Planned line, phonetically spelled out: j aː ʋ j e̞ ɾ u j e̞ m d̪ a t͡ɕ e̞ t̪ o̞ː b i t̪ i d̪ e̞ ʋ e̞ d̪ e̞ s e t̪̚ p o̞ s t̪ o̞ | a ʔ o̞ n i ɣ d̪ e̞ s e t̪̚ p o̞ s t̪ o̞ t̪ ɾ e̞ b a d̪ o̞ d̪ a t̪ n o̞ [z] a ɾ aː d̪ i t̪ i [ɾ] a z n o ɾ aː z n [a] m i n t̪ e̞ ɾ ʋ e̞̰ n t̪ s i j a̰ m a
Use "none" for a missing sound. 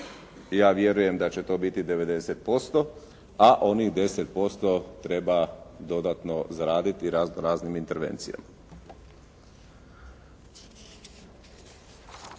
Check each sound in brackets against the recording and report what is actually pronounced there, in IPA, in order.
z, ɾ, i

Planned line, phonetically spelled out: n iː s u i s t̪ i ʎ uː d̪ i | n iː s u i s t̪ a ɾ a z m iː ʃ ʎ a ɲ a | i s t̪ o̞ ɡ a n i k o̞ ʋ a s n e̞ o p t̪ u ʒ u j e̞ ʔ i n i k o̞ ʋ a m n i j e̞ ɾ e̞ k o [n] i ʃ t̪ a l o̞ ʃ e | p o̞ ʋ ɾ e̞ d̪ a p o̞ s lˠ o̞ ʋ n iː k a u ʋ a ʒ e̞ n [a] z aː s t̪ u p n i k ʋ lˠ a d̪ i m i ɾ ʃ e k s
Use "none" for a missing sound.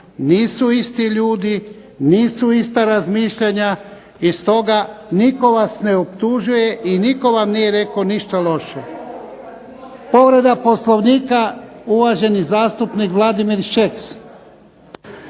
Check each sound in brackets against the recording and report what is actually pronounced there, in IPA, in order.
n, i

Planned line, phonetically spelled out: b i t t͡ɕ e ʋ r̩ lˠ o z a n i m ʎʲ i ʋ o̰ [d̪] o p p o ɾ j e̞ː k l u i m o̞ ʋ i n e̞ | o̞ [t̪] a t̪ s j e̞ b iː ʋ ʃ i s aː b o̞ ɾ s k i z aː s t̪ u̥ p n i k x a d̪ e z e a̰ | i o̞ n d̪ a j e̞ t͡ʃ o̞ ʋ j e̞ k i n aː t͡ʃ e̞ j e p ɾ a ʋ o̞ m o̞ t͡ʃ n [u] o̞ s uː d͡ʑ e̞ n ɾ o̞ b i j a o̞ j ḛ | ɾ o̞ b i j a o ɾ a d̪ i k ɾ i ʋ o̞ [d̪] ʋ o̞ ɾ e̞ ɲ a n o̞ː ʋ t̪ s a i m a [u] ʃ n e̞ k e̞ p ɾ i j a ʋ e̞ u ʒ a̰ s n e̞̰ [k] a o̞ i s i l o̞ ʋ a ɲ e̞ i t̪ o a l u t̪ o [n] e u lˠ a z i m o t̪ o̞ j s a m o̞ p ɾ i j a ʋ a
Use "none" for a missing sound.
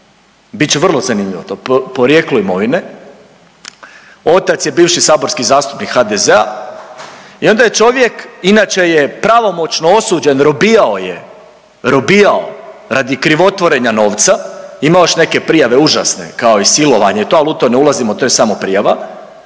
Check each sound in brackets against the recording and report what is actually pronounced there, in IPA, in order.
t̪, t̪, o, t̪, o, k, n

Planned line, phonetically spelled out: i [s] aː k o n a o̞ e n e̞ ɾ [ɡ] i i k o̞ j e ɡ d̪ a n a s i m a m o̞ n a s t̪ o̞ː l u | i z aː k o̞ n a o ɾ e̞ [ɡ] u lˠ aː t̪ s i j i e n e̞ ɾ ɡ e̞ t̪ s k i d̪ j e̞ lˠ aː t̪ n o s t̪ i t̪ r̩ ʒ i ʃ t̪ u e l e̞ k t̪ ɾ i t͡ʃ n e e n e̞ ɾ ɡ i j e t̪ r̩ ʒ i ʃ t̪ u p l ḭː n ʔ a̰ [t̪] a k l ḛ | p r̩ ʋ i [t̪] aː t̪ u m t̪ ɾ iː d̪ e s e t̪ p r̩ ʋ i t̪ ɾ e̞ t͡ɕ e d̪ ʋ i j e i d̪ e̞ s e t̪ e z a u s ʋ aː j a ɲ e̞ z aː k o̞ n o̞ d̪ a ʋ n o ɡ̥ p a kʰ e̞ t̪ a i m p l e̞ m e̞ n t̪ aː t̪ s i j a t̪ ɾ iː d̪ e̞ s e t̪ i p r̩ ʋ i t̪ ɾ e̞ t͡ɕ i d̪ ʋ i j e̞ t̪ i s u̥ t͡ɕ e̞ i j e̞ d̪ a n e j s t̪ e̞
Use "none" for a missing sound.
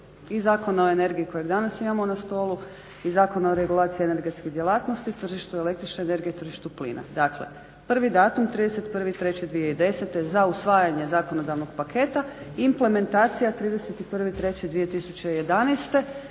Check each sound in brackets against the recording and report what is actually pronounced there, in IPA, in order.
z, ɡ, ɡ, d̪, d̪

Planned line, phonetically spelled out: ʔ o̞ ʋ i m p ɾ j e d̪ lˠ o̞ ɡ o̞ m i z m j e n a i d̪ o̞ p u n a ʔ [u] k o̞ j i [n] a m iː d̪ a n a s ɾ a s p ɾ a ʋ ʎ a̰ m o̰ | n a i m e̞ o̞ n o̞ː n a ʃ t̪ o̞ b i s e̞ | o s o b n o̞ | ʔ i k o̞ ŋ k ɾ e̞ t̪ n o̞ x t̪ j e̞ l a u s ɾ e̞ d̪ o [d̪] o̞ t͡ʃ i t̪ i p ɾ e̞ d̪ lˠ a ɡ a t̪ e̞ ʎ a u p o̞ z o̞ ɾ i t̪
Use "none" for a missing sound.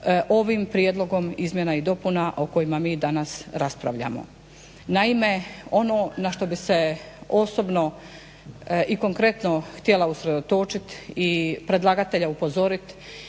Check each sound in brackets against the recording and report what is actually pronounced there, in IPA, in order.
o, m, t̪

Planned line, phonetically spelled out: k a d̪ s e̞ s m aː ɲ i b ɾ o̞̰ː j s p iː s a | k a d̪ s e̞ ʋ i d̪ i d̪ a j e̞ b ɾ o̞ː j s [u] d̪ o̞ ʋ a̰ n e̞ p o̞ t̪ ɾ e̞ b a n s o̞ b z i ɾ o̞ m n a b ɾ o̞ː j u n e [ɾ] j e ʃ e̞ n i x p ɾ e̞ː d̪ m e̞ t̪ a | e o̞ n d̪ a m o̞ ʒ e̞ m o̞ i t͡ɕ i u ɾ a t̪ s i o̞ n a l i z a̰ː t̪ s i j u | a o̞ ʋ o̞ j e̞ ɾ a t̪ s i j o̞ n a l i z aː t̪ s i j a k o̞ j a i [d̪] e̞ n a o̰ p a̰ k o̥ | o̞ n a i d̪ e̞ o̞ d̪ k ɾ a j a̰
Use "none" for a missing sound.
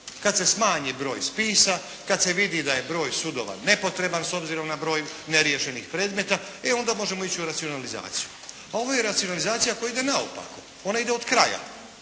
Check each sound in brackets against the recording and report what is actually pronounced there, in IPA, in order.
u, ɾ, d̪

